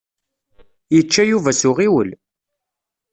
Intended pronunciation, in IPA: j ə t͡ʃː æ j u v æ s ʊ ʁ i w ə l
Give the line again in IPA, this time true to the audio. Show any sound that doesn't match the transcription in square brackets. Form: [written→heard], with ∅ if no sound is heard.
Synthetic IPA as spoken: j ə t͡ʃː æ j u v æ s ʊ ʁ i w ə l